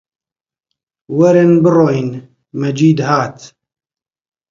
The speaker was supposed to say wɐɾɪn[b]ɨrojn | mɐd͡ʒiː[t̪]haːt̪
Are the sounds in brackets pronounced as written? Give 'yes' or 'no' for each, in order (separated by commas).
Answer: yes, no